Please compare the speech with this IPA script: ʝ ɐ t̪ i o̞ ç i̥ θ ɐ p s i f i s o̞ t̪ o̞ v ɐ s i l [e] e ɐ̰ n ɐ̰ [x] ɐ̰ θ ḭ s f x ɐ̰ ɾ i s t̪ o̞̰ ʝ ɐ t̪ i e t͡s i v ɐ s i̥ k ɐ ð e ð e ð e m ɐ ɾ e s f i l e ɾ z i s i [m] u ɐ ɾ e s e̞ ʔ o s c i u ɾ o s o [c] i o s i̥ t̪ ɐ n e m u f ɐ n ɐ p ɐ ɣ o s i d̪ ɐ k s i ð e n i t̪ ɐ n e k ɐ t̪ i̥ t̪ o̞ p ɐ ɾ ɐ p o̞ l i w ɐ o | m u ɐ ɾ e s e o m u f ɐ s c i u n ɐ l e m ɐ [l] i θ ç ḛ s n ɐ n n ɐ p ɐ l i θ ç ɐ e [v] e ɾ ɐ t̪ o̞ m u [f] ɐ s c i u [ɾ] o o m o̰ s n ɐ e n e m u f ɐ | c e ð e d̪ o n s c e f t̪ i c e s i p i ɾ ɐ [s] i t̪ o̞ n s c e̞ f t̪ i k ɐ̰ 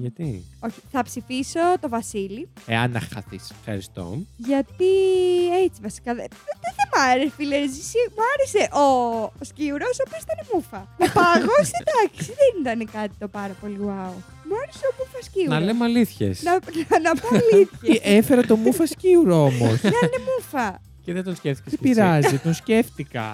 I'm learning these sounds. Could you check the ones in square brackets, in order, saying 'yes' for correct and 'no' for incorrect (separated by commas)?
no, yes, yes, no, yes, no, yes, yes, no